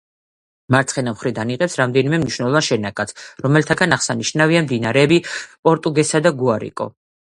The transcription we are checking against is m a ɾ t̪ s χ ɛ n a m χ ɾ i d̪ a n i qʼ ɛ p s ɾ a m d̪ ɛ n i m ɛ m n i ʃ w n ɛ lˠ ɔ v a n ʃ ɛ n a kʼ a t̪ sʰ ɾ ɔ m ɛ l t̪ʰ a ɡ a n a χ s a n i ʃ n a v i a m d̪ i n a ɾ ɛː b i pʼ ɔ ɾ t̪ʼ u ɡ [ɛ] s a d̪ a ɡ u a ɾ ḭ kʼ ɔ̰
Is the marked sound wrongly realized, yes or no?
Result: no